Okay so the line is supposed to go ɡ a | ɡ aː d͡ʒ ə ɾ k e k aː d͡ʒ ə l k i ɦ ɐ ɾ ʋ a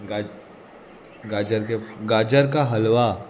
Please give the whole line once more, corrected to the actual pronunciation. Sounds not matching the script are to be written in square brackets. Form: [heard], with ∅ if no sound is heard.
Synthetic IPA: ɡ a | ɡ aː d͡ʒ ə ɾ k e [ɡ] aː d͡ʒ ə [ɾ] k [a] ɦ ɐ [l] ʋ a

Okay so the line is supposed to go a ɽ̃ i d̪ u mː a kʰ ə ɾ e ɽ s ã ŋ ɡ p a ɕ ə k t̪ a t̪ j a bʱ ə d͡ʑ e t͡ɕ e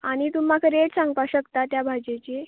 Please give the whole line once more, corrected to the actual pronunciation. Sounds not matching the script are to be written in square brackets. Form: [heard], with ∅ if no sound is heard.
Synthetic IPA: a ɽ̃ i [t̪] u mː a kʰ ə ɾ e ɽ s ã ŋ ɡ p a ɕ ə k t̪ a t̪ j a bʱ [a] d͡ʑ e t͡ɕ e

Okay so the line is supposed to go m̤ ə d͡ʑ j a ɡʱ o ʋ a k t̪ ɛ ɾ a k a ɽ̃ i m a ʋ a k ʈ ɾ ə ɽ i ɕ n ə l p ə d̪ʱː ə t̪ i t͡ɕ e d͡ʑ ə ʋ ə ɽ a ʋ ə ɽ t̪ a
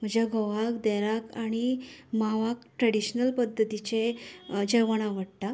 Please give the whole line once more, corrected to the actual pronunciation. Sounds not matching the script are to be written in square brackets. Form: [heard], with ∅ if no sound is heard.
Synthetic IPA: m̤ ə d͡ʑ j a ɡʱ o ʋ a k [d̪] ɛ ɾ a k a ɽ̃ i m a ʋ a k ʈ ɾ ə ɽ i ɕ n ə l p ə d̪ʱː ə t̪ i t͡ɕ e d͡ʑ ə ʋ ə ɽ a ʋ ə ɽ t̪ a

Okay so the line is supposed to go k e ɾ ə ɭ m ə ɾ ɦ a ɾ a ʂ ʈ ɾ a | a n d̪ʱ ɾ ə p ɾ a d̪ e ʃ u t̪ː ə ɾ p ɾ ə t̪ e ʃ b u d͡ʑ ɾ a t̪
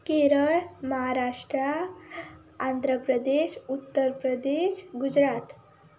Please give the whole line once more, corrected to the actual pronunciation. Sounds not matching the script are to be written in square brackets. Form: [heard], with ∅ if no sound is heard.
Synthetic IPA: k e ɾ ə ɭ m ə [∅] ɦ a ɾ a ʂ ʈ ɾ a | a n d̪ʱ ɾ ə p ɾ [ə] d̪ e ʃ u t̪ː ə ɾ p ɾ ə [d̪] e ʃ [ɡ] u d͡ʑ ɾ a t̪

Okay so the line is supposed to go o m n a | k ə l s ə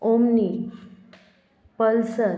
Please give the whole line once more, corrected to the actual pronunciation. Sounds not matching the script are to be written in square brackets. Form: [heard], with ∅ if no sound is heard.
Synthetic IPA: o m n [i] | [p] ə l s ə

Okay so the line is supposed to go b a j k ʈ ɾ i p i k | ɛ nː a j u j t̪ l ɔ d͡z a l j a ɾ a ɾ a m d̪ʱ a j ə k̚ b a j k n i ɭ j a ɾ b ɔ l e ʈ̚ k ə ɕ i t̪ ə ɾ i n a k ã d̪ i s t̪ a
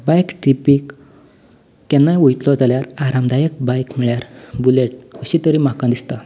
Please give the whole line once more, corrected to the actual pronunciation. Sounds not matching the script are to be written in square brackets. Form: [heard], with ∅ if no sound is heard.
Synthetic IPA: b a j k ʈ ɾ i p i k | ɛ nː a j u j t̪ l ɔ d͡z a l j a ɾ a ɾ a m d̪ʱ a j ə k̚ b a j k [m] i ɭ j a ɾ b [u] l e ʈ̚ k ə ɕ i t̪ ə ɾ i [m] a k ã d̪ i s t̪ a

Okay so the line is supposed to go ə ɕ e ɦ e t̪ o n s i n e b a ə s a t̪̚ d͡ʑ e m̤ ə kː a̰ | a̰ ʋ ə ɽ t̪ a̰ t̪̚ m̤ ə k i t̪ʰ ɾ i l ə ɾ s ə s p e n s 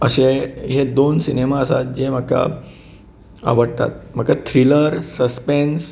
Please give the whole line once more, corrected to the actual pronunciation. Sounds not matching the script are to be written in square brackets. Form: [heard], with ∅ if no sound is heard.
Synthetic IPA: ə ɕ e ɦ e [d̪] o n s i n e [m] a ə s a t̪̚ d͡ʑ e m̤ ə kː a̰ | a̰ ʋ ə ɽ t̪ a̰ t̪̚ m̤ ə k [a] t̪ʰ ɾ i l ə ɾ s ə s p e n s

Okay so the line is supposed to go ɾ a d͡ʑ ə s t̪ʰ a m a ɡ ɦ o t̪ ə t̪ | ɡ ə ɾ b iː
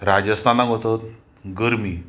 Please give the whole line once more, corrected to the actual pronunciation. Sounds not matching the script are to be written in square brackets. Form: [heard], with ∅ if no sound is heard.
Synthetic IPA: ɾ a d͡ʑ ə s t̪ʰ a [n] a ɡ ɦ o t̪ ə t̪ | ɡ ə ɾ [m] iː

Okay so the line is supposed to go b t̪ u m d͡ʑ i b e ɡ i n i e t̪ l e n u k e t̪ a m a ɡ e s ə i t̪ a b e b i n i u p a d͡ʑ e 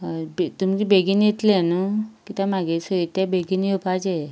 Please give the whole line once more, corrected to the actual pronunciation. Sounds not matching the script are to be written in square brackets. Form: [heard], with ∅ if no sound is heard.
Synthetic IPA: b t̪ u m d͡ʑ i b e ɡ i n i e t̪ l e n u k [i] t̪ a m a ɡ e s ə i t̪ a b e [ɡ] i n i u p a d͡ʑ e

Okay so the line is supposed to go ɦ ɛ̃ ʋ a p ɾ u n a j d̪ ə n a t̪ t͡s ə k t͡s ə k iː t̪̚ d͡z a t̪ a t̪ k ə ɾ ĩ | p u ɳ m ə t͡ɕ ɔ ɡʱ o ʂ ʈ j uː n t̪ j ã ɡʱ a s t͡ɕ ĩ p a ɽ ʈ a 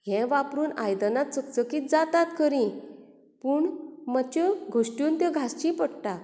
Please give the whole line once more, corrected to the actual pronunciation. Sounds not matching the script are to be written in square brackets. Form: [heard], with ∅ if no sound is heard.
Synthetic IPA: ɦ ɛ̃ ʋ a p ɾ [uː] n a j d̪ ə n a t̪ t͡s ə k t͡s ə k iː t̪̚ d͡z a t̪ a t̪ k ə ɾ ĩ | p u ɳ m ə t͡ɕ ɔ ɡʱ o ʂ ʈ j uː n t̪ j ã ɡʱ a s t͡ɕ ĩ p [ə] ɽ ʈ a

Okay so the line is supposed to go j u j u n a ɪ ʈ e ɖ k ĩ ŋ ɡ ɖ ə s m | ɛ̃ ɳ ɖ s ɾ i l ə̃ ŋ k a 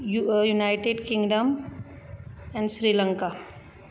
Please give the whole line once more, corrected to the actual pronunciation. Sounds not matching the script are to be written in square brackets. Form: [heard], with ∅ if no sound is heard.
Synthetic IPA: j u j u n a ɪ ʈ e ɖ k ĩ ŋ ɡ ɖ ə [∅] m | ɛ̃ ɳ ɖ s ɾ i l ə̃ ŋ k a

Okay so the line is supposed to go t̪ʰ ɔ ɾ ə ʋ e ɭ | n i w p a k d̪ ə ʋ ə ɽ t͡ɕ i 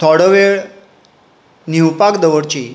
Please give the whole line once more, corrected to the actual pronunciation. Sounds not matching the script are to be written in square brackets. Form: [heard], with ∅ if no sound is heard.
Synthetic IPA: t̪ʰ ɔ [ɽ] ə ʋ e ɭ | n i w p a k d̪ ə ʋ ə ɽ t͡ɕ i

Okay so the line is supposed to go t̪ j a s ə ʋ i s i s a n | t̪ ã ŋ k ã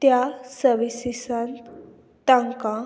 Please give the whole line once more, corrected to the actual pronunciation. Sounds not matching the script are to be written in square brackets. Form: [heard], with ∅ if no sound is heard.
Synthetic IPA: t̪ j a s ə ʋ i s i s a n | t̪ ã ŋ k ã

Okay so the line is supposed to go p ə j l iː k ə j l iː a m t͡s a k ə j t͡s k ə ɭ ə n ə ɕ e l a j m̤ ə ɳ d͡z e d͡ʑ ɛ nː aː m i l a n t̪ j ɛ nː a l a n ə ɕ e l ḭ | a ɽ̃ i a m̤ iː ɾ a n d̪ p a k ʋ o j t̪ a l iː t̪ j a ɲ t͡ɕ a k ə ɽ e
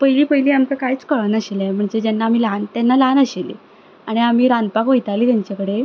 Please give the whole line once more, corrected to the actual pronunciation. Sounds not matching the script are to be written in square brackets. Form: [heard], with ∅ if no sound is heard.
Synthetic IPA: p ə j l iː [p] ə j l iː a m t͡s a k [a] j t͡s k ə ɭ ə n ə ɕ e l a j m̤ ə ɳ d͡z e d͡ʑ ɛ nː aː m i l a n t̪ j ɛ nː a l a n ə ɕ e l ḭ | a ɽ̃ i a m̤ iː ɾ a n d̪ p a k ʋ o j t̪ a l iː t̪ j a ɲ t͡ɕ a k ə ɽ e

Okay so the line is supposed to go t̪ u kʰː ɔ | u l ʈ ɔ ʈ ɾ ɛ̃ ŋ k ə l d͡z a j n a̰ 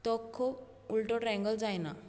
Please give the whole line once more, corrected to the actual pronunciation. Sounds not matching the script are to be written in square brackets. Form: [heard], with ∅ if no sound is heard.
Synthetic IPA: t̪ [ɔ] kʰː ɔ | u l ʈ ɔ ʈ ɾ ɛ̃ ŋ [ɡ] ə l d͡z a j n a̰

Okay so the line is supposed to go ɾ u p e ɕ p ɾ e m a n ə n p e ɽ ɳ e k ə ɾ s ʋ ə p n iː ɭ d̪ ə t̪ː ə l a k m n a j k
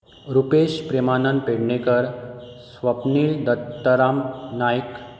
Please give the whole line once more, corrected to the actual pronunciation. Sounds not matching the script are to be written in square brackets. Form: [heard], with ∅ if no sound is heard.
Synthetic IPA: ɾ u p e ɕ p ɾ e m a n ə n p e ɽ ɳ e k ə ɾ s ʋ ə p n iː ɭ d̪ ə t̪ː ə [ɾ] a [∅] m n a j k

